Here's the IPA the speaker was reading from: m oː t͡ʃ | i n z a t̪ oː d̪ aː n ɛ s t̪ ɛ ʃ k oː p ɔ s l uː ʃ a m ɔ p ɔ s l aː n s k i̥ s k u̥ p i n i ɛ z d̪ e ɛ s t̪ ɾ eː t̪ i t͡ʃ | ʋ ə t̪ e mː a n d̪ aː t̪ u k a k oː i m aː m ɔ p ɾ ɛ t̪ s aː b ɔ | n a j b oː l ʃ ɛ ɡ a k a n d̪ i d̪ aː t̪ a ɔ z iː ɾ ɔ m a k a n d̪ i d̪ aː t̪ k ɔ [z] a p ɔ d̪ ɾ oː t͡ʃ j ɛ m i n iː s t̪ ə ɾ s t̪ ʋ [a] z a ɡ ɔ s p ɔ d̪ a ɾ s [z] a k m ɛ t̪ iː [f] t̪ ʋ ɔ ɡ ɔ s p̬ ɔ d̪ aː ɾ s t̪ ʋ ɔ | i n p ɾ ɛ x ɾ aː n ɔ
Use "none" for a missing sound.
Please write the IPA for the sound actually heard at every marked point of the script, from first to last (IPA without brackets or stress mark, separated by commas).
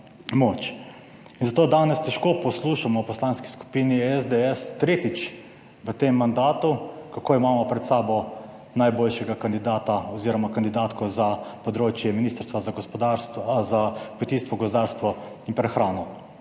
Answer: z, a, z, s